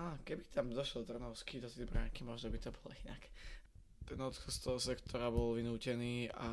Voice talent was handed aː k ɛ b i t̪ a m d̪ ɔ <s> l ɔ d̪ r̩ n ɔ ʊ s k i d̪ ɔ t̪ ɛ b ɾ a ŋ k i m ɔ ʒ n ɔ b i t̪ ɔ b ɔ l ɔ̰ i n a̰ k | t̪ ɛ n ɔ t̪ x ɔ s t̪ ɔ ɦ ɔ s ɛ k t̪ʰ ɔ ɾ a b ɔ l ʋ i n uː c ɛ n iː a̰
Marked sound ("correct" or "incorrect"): incorrect